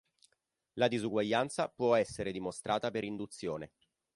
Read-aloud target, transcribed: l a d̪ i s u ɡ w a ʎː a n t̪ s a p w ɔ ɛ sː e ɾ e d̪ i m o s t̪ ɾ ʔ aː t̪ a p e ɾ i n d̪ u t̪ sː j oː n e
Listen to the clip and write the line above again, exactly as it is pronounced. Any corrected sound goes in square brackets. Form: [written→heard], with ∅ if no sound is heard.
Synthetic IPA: l a d̪ i [s→z] u ɡ w a ʎː a n t̪ s a p w ɔ ɛ sː e ɾ e d̪ i m o s t̪ ɾ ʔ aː t̪ a p e ɾ i n d̪ u t̪ sː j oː n e